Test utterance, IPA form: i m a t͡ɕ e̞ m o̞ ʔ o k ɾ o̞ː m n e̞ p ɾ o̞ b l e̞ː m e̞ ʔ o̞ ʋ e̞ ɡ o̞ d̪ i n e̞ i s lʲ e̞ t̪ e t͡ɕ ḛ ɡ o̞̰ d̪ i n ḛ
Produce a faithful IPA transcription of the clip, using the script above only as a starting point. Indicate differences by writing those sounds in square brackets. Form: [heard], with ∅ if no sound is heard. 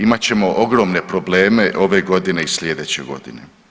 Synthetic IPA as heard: i m a t͡ɕ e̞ m o̞ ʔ o [ɡ] ɾ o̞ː m n e̞ p ɾ o̞ b l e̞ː m e̞ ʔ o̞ ʋ e̞ ɡ o̞ d̪ i n e̞ i s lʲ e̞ [d̪] e t͡ɕ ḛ ɡ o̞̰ d̪ i n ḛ